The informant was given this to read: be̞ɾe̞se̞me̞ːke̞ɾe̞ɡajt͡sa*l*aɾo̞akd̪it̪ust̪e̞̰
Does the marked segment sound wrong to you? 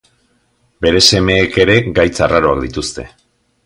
yes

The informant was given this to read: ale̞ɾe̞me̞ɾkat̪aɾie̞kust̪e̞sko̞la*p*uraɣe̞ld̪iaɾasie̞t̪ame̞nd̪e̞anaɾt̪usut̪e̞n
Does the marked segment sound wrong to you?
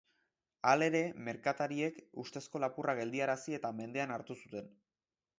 no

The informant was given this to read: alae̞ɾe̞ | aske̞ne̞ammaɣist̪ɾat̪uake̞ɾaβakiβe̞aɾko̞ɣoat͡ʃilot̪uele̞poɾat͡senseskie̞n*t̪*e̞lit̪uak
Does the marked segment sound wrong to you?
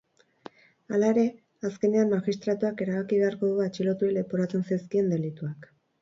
yes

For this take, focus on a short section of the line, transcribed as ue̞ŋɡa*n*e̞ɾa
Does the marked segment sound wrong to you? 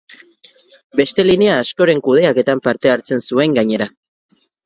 yes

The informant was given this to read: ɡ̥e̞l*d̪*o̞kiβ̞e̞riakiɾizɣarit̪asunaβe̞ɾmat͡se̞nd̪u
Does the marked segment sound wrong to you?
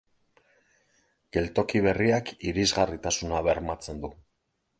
yes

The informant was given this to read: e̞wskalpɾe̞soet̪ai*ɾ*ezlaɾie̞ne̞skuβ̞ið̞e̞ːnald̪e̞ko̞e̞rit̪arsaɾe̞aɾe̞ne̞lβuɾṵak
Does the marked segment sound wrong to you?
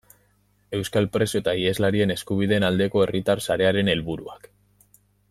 yes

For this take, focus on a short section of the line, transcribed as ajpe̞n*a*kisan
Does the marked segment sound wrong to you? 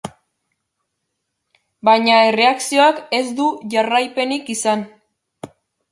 yes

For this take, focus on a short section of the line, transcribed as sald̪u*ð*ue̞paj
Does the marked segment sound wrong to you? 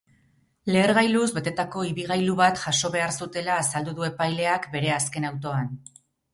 no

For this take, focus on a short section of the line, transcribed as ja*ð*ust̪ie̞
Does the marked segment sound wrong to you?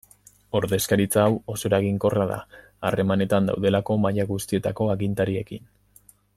yes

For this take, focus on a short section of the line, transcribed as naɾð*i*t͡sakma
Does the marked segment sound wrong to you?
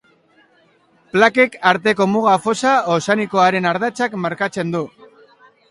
yes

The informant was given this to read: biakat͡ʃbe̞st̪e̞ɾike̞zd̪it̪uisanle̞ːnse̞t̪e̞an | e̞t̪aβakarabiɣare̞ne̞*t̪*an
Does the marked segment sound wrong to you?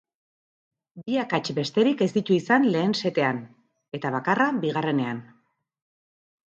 yes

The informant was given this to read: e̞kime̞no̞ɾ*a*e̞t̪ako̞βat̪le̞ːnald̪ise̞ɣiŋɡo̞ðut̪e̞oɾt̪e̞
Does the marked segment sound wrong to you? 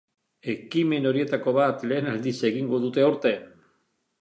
yes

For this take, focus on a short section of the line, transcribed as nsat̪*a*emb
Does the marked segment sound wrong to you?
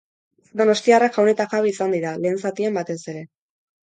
yes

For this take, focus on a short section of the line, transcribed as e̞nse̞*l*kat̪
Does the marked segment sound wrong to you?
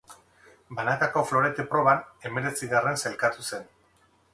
no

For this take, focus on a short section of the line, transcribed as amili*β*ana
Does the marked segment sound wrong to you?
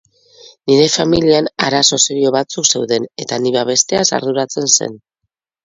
yes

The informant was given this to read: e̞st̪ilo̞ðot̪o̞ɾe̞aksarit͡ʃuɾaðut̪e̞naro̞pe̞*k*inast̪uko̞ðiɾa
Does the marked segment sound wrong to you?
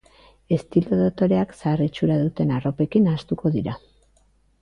no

